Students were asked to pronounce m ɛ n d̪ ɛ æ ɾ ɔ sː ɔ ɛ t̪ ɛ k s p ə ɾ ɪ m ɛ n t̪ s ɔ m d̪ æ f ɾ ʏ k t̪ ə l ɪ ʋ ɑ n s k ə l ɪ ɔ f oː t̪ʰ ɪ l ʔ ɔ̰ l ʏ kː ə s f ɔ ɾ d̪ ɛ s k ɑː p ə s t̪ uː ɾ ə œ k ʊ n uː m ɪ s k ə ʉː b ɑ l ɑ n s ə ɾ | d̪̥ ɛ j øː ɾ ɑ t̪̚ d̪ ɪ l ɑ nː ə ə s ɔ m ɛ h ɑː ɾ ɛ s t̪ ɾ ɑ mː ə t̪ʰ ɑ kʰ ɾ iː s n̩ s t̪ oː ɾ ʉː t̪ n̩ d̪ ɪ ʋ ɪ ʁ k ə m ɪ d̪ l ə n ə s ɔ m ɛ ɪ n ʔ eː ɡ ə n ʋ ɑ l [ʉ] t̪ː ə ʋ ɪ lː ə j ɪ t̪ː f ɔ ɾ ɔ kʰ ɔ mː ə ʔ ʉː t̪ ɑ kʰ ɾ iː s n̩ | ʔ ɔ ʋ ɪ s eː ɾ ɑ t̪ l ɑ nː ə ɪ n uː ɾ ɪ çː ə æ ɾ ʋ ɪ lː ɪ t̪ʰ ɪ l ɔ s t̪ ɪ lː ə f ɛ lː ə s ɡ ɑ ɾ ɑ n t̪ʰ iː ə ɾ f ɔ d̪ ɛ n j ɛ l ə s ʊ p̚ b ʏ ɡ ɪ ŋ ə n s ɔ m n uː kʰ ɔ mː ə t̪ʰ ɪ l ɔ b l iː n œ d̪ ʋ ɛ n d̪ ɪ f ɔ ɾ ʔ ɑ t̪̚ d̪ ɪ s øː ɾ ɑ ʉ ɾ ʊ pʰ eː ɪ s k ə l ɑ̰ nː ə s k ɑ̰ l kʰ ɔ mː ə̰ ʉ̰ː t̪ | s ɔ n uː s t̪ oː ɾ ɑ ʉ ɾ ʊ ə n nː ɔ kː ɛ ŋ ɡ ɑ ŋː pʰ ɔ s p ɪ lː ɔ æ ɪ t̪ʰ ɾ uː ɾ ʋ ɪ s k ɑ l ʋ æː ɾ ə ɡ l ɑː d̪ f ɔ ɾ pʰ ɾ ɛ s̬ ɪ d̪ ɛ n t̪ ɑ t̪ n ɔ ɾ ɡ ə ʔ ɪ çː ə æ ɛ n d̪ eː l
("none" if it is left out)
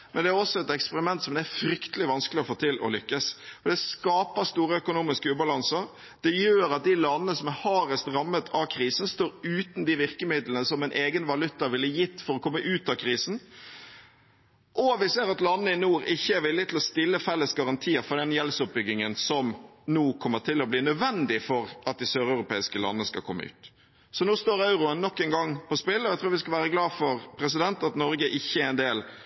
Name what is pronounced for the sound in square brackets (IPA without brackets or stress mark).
ʉ